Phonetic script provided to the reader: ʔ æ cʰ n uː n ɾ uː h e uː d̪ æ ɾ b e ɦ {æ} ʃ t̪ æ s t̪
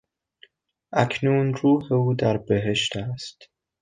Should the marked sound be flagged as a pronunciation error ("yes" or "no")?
yes